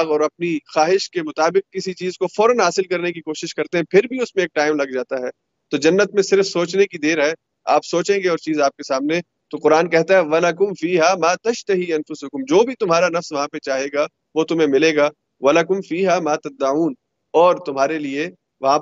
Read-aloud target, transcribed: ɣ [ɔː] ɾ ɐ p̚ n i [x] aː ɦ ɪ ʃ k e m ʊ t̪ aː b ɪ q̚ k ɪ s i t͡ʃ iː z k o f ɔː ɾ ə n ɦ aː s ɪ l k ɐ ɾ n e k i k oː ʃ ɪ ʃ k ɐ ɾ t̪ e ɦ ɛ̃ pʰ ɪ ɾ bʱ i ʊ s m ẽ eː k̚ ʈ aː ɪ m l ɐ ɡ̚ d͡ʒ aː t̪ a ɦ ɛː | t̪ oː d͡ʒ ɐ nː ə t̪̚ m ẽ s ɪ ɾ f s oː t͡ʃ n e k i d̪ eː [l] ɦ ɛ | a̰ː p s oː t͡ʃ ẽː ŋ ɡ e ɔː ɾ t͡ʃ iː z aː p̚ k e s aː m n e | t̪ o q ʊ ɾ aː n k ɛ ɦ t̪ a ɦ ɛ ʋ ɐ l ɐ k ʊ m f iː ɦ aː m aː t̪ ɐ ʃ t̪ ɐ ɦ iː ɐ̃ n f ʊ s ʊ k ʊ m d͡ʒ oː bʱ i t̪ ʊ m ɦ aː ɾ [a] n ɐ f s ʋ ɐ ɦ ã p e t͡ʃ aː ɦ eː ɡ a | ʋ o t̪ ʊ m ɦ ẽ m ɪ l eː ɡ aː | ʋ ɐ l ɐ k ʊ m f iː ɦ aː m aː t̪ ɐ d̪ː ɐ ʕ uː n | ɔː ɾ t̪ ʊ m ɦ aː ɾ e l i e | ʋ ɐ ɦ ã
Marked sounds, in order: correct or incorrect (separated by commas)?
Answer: correct, correct, incorrect, correct